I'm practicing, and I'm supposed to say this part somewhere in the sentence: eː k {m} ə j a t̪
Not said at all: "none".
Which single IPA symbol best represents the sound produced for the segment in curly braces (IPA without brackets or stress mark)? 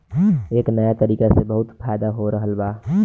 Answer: n